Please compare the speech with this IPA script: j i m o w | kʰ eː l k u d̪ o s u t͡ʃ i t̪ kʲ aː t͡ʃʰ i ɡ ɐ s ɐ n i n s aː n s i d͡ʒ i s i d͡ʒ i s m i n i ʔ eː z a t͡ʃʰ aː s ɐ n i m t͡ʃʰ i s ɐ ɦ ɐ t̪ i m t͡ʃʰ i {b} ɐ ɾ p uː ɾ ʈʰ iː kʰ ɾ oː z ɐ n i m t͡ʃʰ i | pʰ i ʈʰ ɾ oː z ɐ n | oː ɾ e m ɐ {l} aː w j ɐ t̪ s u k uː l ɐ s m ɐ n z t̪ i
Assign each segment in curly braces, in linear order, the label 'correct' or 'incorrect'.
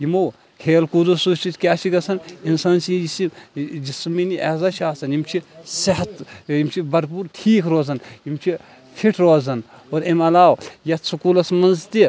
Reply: correct, correct

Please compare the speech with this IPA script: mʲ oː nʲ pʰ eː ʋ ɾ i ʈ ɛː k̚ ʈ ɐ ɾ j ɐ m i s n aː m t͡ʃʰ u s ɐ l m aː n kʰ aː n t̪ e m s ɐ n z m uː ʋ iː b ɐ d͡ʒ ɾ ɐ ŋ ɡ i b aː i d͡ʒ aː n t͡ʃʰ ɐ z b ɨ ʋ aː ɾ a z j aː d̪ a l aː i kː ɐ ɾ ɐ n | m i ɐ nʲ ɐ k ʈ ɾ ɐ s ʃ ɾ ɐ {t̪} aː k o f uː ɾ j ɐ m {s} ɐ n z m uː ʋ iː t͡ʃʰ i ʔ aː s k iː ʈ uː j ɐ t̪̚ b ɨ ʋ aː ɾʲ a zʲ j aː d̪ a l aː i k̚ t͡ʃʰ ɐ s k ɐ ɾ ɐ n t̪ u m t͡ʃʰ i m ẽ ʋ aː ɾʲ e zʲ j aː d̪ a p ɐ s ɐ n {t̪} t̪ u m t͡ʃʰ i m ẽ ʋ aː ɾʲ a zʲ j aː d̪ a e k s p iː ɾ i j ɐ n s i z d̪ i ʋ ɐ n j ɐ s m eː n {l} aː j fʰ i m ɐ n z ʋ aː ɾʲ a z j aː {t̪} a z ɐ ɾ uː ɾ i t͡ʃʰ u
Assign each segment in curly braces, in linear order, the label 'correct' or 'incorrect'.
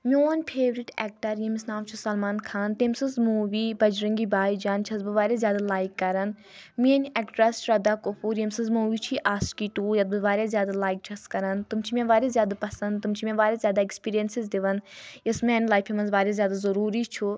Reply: incorrect: d̪, correct, incorrect: d̪, correct, incorrect: d̪

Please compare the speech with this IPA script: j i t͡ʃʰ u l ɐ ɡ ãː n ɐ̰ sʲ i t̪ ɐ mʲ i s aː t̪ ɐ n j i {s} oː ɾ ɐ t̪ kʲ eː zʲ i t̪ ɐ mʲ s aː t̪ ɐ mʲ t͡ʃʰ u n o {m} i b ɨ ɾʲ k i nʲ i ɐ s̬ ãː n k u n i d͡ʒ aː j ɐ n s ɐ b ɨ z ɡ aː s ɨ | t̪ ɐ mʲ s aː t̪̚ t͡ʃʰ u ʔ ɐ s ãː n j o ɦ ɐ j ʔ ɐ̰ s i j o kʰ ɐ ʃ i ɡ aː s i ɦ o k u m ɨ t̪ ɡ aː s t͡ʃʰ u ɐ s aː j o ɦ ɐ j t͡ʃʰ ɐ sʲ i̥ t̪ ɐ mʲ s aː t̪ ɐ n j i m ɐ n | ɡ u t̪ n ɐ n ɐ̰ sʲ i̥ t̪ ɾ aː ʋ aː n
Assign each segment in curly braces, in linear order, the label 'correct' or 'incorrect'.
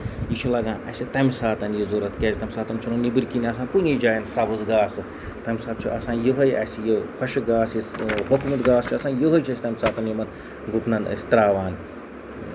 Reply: incorrect: z, incorrect: n

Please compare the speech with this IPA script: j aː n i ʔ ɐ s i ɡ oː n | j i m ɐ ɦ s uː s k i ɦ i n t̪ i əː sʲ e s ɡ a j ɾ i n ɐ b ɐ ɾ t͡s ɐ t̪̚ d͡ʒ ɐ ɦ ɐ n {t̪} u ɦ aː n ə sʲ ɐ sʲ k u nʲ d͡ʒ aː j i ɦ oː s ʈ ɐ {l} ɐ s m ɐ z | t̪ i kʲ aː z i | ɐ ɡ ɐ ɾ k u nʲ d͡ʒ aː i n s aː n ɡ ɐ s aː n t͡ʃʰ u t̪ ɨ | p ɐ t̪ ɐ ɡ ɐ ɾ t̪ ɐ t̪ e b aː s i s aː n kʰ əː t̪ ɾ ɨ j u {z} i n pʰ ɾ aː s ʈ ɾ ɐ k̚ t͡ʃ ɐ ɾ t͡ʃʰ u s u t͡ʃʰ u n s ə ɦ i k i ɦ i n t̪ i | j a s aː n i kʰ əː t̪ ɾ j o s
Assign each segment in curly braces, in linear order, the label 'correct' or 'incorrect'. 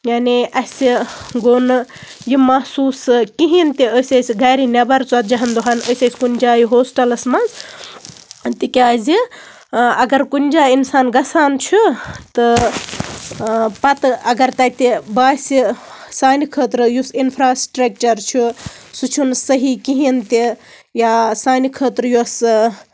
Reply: incorrect: d̪, correct, incorrect: s

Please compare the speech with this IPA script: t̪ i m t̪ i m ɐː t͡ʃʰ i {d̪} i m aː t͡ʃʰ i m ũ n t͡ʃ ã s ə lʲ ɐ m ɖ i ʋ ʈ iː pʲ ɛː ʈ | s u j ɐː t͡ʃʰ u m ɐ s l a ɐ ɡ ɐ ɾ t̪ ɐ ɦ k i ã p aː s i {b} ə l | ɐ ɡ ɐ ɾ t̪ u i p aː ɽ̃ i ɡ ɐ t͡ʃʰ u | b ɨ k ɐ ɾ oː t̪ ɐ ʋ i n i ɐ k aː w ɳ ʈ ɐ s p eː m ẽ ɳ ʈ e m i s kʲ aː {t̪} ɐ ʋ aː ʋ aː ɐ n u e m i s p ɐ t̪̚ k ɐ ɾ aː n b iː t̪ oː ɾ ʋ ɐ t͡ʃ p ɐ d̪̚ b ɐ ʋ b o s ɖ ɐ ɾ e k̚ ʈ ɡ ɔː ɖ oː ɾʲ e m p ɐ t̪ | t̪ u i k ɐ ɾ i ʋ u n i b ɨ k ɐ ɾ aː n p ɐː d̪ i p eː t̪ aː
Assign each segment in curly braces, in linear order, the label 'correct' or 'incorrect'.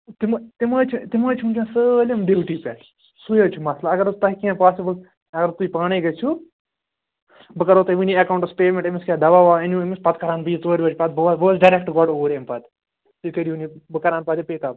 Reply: incorrect: t̪, correct, incorrect: d̪

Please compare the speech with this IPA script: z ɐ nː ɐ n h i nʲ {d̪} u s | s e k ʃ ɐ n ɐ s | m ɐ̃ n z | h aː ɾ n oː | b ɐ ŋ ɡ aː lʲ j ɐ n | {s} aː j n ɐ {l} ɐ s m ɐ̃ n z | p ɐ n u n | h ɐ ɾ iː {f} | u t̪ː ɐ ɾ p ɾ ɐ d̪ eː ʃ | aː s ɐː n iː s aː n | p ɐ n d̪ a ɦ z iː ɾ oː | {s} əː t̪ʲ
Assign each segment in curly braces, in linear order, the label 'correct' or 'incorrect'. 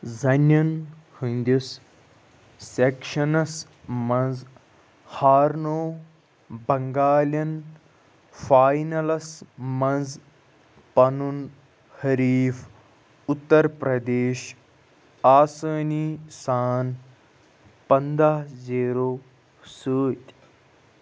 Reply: correct, incorrect: f, correct, correct, correct

